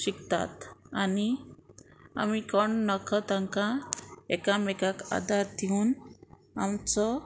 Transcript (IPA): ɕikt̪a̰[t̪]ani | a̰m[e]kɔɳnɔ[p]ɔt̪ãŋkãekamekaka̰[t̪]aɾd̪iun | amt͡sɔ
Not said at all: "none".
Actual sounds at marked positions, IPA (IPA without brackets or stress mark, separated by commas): t̪, i, k, d̪